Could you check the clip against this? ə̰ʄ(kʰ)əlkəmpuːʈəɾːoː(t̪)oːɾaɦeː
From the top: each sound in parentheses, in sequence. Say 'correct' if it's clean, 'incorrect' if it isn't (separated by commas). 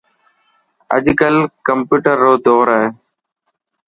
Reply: incorrect, incorrect